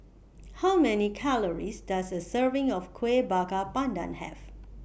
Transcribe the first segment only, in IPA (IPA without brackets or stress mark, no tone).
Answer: h